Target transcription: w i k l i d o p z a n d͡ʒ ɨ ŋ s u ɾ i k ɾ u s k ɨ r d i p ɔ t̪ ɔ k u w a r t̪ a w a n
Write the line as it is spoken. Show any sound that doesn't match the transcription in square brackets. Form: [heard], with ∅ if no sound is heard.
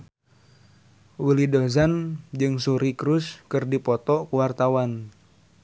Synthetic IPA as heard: w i [∅] l i d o [∅] z a n d͡ʒ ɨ ŋ s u ɾ i k ɾ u s k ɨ r d i p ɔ t̪ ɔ k u w a r t̪ a w a n

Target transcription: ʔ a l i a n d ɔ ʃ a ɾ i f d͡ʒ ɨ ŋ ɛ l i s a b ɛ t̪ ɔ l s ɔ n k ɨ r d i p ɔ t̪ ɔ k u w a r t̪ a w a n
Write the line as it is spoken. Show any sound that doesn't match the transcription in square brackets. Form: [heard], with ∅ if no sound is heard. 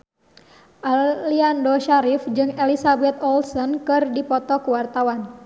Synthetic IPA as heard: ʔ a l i a n d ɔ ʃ a ɾ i f d͡ʒ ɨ ŋ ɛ l i s a b ɛ t̪ ɔ l s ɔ n k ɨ r d i p ɔ t̪ ɔ k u w a r t̪ a w a n

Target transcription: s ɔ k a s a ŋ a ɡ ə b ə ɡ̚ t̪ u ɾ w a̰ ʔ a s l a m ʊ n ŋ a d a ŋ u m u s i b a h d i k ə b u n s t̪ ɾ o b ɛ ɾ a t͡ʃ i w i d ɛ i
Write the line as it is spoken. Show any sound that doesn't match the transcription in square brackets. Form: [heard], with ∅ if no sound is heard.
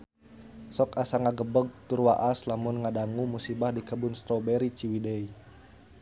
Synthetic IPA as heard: s ɔ k a s a ŋ a ɡ ə b ə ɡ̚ t̪ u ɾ w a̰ ʔ a s l a m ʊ n ŋ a d a ŋ u m u s i b a h d i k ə b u n s t̪ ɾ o b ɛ ɾ [i] t͡ʃ i w i d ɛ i

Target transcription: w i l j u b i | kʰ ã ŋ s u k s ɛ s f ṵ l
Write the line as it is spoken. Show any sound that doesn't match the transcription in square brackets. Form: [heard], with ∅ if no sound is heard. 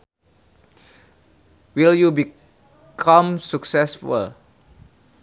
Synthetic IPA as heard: w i l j u b i | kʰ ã [m] s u k s ɛ s f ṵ l

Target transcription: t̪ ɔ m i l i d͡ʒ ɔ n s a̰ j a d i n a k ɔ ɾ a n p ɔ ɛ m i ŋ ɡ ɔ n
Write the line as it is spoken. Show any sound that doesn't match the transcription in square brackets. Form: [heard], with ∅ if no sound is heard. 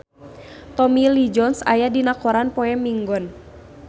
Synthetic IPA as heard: t̪ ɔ m i l i d͡ʒ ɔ n s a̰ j a d i n a k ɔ ɾ a n p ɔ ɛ m i ŋ ɡ ɔ n

